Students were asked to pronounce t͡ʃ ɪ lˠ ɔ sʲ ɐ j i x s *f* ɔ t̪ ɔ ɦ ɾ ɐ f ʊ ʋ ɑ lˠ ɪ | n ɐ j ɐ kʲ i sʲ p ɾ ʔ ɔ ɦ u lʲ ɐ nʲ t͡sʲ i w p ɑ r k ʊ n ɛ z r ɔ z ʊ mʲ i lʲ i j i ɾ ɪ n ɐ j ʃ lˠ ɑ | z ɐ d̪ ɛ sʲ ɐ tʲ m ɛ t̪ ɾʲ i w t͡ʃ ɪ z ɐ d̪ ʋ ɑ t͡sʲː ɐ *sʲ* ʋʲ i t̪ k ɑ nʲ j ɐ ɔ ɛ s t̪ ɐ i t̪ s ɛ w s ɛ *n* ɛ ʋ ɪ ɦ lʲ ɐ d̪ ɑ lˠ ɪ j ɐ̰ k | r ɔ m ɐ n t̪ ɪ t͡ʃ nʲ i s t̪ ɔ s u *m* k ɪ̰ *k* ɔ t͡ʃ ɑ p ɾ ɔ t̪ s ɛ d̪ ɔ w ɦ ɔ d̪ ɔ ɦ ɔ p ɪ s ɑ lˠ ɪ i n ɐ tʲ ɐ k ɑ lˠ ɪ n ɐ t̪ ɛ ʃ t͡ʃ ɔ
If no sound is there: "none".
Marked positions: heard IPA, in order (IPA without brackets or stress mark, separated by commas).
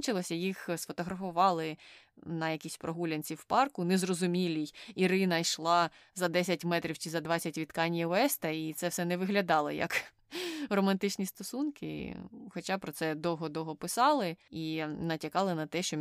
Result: f, tʲ, n, n, x